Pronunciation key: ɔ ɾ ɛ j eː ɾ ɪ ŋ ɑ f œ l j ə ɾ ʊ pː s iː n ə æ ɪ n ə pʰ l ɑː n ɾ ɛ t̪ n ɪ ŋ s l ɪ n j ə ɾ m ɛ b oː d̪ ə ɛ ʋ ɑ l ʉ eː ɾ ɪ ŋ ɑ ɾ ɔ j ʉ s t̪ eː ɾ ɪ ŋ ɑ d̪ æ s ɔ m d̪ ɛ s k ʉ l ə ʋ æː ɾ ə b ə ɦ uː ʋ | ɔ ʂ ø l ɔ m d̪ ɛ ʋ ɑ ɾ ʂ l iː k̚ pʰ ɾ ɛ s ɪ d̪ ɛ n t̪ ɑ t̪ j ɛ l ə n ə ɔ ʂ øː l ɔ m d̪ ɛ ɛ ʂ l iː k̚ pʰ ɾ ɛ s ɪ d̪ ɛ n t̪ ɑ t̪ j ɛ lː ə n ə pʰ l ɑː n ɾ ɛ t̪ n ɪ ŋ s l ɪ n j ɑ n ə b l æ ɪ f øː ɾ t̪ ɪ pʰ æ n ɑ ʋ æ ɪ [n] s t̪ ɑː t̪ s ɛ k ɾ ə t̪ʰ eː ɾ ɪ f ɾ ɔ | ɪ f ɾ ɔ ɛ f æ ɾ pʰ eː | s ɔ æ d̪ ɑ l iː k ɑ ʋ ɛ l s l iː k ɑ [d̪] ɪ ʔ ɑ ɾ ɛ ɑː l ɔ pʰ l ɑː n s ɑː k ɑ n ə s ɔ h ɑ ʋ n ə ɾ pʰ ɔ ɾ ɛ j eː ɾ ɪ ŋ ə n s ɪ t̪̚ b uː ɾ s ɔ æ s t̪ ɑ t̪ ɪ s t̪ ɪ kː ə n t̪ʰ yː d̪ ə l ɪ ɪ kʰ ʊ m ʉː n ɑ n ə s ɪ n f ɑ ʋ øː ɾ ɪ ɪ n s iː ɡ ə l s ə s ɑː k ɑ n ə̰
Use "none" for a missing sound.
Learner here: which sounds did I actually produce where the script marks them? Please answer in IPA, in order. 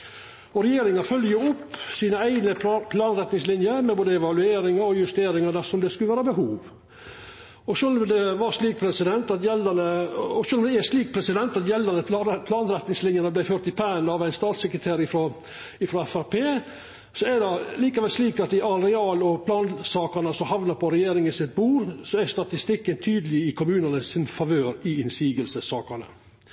n, t̪

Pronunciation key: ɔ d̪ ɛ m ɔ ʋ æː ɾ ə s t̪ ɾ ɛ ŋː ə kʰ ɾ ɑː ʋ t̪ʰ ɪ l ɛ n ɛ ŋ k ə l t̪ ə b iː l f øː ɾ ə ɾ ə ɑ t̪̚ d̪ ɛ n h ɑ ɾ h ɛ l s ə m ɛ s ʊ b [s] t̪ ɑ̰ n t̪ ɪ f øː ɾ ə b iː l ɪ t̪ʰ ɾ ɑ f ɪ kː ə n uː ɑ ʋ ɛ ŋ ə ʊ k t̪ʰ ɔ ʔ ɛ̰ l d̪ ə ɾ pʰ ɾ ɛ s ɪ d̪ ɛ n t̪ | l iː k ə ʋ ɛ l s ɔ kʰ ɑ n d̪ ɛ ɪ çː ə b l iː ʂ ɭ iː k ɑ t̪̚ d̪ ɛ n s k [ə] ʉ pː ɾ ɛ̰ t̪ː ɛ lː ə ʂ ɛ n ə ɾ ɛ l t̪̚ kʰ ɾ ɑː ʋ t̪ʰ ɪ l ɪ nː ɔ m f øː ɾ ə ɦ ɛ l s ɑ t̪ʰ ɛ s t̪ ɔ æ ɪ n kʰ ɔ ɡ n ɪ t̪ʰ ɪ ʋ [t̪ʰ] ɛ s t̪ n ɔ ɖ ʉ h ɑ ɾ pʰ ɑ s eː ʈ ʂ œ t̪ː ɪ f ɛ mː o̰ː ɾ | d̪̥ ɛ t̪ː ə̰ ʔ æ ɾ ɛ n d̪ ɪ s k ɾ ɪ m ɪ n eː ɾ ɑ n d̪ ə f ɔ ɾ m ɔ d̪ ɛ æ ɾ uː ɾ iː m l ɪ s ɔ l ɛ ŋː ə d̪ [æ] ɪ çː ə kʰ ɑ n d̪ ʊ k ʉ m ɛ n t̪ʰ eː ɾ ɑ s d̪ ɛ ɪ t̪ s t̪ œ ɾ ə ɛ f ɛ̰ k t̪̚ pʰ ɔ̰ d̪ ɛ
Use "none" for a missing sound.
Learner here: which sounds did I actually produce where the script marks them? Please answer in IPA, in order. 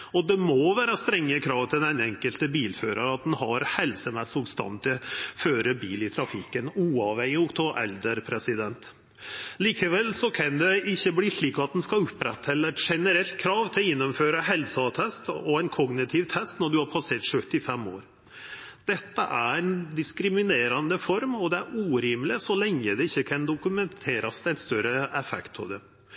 s, ɑ, t̪ʰ, ɛ

